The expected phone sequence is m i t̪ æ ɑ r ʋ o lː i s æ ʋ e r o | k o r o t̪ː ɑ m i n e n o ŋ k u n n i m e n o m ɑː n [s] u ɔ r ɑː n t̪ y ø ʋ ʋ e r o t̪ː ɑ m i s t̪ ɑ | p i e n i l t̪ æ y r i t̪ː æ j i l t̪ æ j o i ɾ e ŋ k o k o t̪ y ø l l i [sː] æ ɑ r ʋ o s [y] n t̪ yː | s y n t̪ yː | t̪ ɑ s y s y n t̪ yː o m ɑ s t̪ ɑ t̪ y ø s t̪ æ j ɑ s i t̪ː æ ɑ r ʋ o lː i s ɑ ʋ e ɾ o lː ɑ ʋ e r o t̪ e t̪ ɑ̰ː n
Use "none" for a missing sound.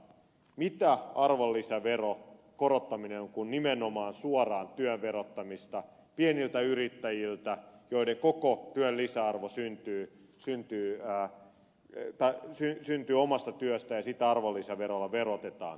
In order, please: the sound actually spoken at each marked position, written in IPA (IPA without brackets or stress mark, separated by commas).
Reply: s, s, y